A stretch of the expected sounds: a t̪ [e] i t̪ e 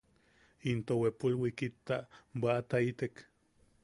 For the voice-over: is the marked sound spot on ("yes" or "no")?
no